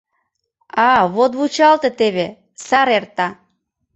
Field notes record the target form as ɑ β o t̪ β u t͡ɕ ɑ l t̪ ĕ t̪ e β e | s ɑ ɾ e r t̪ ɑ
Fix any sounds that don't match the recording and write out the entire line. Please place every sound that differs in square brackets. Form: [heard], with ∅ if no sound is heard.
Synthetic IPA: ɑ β o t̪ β u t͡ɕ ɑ l t̪ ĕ t̪ e β e | s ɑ ɾ e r t̪ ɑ